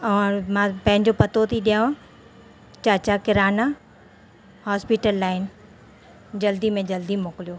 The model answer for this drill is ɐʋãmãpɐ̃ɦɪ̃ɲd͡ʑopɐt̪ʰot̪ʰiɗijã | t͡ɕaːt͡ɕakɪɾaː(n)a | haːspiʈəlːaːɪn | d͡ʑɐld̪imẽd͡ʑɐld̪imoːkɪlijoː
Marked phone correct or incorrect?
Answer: correct